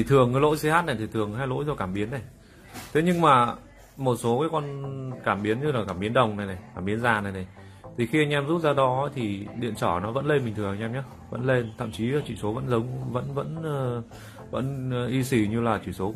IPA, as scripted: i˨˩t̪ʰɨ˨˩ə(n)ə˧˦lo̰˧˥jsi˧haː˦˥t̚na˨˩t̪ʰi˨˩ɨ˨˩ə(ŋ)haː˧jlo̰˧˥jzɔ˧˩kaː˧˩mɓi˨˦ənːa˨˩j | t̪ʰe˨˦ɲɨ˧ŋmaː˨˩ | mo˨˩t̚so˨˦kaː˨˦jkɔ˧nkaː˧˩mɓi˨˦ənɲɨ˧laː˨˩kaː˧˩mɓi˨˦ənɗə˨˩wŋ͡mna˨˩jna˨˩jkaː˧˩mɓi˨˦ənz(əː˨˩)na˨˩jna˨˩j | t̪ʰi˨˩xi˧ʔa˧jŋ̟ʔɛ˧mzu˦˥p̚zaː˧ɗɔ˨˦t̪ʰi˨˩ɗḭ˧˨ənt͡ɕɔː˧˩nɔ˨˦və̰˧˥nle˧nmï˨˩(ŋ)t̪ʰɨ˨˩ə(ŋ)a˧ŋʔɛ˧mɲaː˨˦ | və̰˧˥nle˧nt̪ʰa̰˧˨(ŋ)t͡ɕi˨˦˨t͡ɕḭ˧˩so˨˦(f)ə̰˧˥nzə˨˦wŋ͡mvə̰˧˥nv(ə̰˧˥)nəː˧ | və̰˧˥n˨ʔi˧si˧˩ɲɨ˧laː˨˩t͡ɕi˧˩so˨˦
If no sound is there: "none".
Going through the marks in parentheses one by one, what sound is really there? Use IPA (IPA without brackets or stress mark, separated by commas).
ŋ, ŋ, aː˨˩, ŋ, ŋ, m, v, ə̰˧˥